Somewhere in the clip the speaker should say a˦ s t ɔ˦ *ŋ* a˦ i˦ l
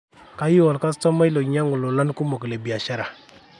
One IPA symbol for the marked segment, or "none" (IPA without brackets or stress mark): m